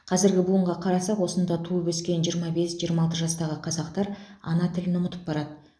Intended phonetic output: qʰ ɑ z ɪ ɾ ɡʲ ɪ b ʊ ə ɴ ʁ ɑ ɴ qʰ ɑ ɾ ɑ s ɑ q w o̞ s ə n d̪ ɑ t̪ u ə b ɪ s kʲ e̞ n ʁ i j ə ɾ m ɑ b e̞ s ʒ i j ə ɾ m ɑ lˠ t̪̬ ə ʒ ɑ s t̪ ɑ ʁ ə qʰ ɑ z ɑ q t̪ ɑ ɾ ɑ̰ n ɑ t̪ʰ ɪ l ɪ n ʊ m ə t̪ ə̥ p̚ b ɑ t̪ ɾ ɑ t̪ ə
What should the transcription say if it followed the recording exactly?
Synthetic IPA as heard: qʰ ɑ z ɪ ɾ ɡʲ ɪ b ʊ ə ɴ ʁ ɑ qʰ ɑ ɾ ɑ s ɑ q w o̞ s ə n d̪ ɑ t̪ʰ u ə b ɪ s kʲ e̞ n ʒ i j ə ɾ m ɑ b e̞ s ʒ i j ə ɾ m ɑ lˠ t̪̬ ə ʒ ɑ s t̪ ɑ ʁ ə qʰ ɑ z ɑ q t̪ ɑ ɾ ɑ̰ n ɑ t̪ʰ ɪ l ɪ n ʊ m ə t̪ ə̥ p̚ b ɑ ɾ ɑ d̪ ə